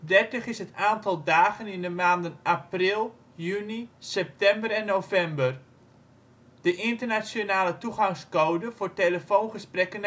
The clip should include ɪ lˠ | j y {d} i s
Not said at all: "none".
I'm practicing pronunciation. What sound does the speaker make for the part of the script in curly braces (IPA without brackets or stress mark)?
n